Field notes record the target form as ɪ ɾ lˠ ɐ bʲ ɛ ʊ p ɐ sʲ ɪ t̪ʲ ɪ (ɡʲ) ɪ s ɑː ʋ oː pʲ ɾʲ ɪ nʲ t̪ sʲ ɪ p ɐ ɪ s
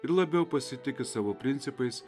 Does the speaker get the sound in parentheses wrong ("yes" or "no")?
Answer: yes